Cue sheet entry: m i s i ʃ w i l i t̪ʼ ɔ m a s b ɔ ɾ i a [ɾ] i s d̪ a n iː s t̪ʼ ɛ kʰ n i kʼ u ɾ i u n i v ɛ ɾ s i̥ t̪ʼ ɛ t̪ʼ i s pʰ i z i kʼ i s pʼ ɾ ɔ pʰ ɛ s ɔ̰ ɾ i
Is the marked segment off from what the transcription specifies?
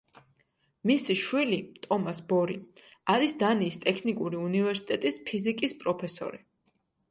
no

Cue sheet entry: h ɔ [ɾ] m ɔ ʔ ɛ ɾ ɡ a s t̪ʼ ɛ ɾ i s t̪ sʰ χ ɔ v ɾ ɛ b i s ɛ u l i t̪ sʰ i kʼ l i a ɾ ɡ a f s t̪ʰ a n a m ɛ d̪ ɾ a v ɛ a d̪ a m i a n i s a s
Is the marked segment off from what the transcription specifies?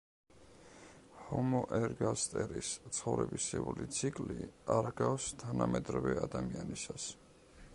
yes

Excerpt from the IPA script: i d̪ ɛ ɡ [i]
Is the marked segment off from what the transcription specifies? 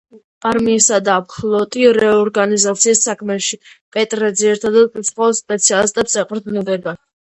yes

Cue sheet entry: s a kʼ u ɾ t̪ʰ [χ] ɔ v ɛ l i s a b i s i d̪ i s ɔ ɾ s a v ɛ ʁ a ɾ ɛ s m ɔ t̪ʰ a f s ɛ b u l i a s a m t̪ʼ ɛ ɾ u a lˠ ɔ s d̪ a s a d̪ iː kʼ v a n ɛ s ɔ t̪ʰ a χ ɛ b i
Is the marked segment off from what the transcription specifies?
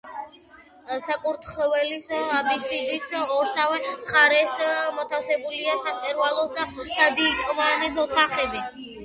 no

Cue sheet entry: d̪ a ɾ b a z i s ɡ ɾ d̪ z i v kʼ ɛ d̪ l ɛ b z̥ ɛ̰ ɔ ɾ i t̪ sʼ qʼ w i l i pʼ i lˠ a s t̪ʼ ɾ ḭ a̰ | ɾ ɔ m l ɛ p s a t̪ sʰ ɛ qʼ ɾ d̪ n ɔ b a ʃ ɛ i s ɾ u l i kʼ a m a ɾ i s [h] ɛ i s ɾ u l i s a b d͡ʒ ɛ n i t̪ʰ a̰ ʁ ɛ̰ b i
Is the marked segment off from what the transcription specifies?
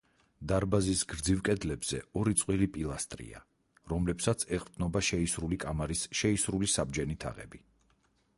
yes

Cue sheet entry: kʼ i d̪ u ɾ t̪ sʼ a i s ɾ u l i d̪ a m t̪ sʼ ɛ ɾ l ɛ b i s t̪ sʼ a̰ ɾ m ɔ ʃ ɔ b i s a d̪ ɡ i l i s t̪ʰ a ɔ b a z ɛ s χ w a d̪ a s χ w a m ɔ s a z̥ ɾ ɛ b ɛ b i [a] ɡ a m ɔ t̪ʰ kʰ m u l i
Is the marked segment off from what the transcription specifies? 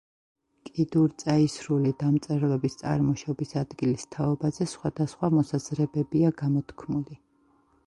no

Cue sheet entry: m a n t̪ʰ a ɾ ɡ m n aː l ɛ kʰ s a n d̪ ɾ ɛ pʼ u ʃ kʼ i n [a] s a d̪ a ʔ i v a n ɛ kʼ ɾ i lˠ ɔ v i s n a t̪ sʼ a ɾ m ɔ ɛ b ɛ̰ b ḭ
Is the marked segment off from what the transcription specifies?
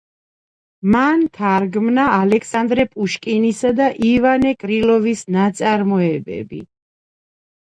yes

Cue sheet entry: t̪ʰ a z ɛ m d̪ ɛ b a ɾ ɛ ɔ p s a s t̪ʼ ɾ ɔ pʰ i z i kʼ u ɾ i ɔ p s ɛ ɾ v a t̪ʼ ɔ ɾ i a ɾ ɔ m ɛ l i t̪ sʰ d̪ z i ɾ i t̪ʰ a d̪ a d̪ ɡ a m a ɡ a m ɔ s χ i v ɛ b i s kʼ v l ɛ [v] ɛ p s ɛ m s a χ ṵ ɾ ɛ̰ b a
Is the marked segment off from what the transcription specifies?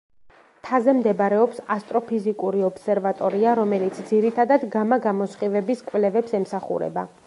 no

